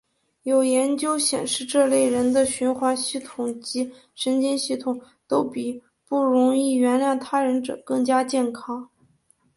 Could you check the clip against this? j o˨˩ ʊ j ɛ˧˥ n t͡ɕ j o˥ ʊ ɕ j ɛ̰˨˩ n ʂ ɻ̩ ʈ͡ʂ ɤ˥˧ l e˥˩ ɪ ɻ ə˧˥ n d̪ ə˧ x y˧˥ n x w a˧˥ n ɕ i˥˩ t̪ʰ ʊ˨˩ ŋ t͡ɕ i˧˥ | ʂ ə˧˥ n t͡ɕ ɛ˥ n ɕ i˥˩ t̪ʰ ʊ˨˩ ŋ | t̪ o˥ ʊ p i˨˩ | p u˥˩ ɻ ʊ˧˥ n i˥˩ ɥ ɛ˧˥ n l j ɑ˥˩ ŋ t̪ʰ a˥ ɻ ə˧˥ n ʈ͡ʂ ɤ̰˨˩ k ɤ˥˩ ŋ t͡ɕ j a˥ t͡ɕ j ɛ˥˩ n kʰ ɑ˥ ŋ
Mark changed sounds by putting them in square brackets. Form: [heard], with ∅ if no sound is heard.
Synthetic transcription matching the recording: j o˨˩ ʊ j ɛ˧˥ n t͡ɕ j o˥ ʊ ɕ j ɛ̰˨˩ n ʂ ɻ̩ ʈ͡ʂ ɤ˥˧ l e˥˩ ɪ ɻ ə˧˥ n d̪ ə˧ [ɕ] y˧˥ n x w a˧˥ n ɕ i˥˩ t̪ʰ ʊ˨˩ ŋ t͡ɕ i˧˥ | ʂ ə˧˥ n t͡ɕ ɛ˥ n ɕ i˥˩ t̪ʰ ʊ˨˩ ŋ | t̪ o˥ ʊ p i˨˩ | p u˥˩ ɻ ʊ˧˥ [ŋ] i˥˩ ɥ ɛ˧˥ n l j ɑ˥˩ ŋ t̪ʰ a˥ ɻ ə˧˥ n ʈ͡ʂ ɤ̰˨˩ k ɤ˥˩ ŋ t͡ɕ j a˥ t͡ɕ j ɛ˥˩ n kʰ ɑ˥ ŋ